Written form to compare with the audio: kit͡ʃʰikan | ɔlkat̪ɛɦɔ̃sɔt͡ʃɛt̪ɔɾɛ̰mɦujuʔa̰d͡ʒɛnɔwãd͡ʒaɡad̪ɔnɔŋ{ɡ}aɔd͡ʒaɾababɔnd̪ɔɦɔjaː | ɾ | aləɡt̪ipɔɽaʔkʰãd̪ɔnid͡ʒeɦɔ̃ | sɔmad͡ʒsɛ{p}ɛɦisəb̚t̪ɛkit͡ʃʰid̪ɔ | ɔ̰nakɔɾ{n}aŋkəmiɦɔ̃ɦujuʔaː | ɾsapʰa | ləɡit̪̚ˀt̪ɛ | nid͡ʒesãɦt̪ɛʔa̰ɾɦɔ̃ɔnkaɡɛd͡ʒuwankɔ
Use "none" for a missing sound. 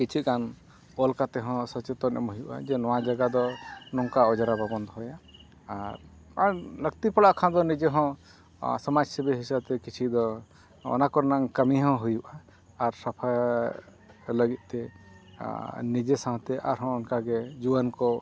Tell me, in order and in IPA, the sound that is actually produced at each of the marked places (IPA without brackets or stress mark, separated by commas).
k, b, n